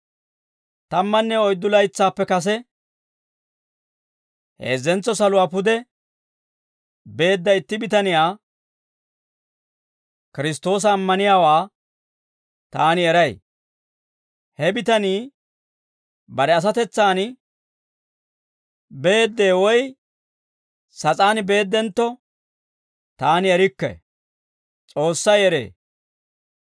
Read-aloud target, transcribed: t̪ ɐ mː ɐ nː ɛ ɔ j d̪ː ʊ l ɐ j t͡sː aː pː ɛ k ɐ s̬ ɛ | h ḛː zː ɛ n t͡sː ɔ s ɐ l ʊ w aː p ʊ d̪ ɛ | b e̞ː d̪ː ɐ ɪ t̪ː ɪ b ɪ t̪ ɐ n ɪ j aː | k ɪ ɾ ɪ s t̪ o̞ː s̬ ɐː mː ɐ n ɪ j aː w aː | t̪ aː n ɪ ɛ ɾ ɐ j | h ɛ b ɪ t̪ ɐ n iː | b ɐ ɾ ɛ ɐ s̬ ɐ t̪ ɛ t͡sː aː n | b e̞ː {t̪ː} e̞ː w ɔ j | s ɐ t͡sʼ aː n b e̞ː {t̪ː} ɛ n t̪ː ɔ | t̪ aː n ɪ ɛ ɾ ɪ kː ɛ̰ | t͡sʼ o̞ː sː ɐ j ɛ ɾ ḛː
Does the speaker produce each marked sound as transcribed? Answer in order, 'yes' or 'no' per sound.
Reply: no, no

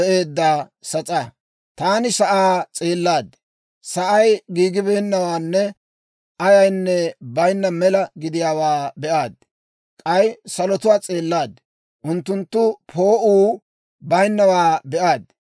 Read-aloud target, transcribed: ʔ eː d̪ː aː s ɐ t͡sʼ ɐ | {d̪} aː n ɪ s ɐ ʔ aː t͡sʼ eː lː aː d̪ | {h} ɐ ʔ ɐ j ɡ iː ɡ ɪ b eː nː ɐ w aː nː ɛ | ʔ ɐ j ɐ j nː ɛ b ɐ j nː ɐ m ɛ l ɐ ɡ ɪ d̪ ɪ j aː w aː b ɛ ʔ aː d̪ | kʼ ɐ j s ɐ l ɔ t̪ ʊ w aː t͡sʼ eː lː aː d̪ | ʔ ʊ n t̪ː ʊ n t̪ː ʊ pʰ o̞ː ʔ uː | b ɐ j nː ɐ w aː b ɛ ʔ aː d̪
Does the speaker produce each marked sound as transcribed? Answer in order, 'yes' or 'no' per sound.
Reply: no, no

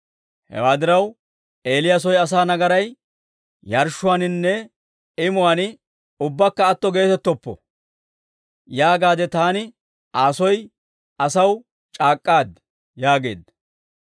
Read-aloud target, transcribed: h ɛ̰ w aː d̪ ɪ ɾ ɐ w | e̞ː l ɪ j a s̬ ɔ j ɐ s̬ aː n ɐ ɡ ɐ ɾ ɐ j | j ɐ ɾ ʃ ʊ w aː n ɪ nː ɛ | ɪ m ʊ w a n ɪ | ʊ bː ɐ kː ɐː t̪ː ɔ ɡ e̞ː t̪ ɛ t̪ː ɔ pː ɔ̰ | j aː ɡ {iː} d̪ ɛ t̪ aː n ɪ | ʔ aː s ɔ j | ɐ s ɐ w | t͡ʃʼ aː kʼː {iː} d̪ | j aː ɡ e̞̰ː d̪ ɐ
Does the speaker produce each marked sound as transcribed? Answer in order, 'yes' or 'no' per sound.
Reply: no, no

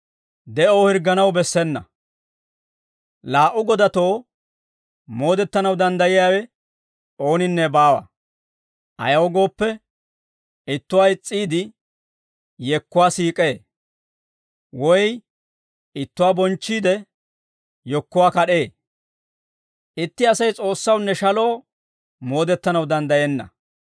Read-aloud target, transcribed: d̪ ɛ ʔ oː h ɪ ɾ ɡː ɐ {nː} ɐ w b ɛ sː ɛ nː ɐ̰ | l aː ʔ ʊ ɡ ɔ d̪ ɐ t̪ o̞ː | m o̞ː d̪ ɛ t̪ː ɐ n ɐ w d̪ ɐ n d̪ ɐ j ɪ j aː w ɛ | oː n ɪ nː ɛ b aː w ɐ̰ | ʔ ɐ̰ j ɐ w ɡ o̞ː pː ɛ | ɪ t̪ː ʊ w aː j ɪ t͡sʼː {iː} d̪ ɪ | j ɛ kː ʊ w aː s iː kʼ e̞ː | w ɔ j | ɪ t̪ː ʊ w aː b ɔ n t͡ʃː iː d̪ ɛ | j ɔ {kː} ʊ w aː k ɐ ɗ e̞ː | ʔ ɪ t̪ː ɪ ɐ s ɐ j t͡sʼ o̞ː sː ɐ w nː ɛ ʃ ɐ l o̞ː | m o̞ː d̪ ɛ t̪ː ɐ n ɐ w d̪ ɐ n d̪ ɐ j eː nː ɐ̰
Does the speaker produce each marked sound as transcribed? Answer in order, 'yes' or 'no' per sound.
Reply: no, yes, yes

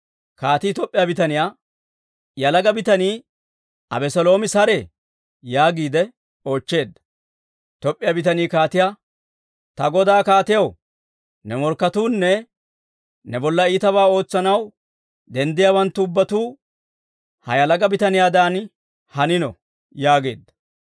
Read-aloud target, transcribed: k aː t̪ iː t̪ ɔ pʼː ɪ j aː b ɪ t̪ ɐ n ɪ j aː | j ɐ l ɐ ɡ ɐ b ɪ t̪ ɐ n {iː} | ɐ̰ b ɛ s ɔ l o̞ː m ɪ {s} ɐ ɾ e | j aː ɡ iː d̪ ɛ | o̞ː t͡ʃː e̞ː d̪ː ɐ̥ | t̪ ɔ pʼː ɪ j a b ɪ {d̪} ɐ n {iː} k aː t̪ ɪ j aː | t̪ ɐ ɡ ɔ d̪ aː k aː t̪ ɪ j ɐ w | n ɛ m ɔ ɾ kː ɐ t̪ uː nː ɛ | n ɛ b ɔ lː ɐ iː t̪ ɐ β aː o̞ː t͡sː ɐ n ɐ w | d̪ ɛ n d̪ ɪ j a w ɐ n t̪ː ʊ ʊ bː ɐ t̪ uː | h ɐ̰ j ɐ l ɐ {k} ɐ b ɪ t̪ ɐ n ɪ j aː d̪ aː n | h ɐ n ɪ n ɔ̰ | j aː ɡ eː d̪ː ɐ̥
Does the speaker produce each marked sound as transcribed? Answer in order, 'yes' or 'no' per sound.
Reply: yes, yes, no, yes, no

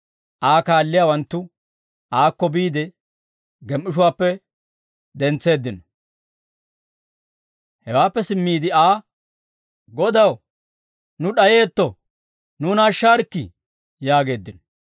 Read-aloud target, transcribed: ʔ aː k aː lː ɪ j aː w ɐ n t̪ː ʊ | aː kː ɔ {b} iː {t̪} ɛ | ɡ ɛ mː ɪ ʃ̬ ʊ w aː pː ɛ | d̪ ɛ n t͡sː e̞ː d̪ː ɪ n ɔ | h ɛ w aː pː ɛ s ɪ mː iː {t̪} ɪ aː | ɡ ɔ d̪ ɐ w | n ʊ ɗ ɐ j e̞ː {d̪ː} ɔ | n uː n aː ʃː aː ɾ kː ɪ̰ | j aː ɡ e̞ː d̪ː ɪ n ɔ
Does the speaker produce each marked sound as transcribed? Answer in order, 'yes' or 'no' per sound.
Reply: yes, no, no, no

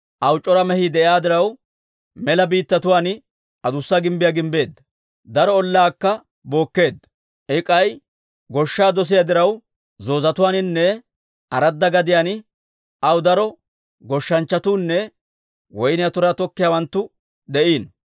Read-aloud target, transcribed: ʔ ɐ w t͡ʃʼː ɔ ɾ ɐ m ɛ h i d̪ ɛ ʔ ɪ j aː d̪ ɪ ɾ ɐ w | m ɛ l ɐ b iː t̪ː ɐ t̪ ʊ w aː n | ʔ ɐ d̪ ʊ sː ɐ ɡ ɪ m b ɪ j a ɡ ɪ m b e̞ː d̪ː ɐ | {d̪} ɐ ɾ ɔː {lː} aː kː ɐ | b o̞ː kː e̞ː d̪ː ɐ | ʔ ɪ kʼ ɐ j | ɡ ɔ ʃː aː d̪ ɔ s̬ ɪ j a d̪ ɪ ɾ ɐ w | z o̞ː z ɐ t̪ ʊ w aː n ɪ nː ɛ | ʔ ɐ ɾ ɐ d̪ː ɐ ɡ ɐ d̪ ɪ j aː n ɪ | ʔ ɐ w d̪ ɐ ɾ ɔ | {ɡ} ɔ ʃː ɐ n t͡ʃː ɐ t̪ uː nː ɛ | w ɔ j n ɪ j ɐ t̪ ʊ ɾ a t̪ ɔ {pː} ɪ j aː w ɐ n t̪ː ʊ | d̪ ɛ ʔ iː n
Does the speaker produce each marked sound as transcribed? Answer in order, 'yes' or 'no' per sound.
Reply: yes, yes, yes, no

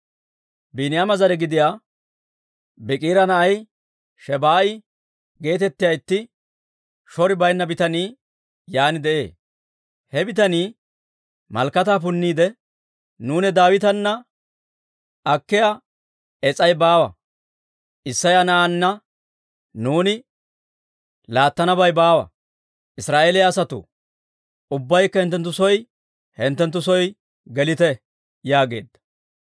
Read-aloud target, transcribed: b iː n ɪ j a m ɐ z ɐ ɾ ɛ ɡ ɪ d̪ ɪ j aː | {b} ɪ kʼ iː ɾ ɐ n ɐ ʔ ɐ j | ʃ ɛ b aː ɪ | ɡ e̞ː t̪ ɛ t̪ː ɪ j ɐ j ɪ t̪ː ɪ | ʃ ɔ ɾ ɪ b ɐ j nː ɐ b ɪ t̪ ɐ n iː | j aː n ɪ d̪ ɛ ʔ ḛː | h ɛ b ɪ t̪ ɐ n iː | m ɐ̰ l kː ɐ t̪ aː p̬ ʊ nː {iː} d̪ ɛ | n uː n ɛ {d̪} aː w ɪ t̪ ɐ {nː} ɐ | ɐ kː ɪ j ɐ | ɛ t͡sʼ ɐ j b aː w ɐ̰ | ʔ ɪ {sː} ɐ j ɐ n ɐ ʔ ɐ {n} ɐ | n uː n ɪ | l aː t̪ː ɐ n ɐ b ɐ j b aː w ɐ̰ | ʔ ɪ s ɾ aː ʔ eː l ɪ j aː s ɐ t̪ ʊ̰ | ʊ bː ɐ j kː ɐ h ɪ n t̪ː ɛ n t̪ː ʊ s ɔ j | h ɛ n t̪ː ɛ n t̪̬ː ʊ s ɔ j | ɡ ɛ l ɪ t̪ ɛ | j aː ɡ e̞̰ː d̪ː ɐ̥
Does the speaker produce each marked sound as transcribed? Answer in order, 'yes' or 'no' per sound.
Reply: yes, yes, yes, yes, yes, no

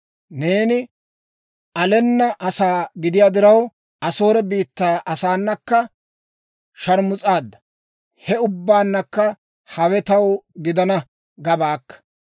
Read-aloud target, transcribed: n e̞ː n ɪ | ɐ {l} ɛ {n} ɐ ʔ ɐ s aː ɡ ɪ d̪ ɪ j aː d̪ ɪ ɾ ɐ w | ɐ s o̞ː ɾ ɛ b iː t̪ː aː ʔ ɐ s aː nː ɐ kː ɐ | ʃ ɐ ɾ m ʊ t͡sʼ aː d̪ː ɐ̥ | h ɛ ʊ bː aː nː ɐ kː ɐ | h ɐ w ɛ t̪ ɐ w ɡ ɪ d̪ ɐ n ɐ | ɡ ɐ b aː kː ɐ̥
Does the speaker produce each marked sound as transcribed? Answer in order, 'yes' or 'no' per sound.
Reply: yes, no

